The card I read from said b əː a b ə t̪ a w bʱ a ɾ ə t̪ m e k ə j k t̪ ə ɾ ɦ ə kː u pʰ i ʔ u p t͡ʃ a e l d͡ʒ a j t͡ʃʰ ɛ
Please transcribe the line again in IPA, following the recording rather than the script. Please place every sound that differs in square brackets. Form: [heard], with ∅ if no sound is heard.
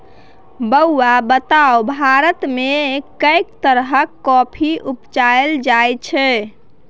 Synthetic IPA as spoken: b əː a b ə t̪ a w bʱ a ɾ ə t̪ m e k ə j k t̪ ə ɾ ɦ ə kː [ɔ] pʰ i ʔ u p t͡ʃ a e l d͡ʒ a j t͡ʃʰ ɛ